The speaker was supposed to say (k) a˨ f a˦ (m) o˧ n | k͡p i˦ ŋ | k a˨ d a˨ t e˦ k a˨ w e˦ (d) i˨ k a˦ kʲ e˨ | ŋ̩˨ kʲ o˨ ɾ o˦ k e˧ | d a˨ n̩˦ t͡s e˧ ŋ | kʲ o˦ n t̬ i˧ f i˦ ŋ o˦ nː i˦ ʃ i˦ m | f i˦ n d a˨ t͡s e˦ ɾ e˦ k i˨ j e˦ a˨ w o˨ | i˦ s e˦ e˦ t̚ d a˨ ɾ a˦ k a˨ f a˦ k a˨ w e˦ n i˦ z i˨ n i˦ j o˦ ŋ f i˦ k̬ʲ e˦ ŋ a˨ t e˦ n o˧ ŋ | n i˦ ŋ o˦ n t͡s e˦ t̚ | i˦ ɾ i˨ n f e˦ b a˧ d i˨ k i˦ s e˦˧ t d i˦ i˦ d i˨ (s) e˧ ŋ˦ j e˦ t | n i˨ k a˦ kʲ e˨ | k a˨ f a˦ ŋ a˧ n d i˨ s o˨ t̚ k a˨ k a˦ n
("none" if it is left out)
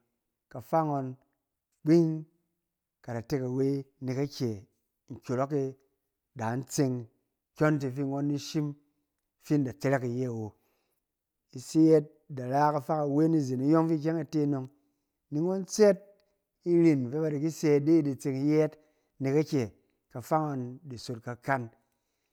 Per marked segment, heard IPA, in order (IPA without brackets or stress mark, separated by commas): k, ŋ, n, t͡s